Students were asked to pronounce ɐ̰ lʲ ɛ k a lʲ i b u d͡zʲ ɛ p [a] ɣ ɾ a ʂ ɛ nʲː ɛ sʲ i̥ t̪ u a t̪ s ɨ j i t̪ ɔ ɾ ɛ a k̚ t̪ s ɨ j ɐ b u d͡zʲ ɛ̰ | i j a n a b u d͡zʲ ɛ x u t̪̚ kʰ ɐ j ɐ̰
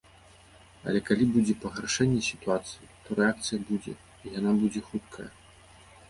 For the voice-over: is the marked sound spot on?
no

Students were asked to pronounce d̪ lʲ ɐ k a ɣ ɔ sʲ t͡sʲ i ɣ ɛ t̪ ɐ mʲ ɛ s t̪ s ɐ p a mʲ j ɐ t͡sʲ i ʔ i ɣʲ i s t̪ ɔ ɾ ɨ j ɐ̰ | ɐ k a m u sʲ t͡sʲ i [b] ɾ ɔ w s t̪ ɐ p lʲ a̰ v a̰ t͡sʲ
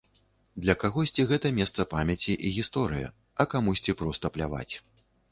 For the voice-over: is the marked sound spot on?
no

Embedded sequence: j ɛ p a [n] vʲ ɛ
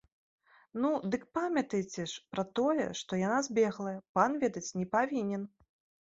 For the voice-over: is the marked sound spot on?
yes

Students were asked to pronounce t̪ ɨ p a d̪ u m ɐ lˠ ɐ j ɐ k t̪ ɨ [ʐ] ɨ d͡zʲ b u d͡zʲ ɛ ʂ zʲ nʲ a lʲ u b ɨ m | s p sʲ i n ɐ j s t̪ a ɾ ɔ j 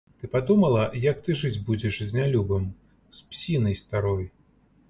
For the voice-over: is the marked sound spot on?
yes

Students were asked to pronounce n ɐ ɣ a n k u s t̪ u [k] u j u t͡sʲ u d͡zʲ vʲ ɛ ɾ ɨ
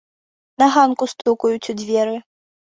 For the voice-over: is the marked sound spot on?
yes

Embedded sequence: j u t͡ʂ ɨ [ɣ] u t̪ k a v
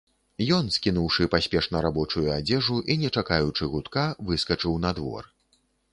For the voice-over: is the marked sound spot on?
yes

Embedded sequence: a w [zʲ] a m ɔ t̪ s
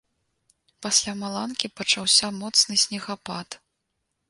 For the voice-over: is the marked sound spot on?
no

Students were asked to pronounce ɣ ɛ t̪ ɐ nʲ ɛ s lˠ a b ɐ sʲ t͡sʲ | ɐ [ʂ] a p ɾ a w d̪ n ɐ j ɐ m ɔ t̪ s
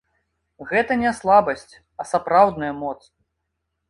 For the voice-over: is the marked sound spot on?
no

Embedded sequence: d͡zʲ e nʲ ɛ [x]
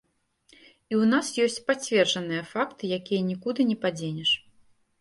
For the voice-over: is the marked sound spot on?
no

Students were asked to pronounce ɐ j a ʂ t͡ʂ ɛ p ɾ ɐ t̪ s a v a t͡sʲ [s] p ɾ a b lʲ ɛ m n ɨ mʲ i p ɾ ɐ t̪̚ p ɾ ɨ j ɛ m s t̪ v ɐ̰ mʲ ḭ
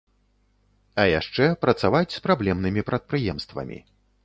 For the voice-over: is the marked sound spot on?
yes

